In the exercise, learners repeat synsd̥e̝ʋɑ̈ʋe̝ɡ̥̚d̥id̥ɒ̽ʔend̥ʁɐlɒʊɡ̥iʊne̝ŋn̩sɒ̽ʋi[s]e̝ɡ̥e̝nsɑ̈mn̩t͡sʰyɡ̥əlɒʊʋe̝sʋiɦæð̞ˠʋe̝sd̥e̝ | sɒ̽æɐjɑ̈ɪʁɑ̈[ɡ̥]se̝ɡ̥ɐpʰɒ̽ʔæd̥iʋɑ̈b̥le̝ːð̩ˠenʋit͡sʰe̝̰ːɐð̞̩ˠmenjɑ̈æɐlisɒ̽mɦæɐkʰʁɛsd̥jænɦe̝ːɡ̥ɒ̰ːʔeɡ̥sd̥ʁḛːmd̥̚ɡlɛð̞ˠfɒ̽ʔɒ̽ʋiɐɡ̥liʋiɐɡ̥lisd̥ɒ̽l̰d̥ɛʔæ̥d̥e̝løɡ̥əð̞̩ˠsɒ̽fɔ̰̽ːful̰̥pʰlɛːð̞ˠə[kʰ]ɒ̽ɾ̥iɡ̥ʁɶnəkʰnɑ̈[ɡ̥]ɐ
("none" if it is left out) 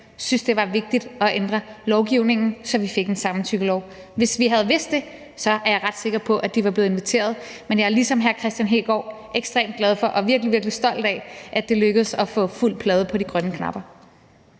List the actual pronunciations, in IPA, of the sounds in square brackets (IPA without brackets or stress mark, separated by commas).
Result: f, d̥, pʰ, b̥